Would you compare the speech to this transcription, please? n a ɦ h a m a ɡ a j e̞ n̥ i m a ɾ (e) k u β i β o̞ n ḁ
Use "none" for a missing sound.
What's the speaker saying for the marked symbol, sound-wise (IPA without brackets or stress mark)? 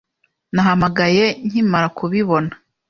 a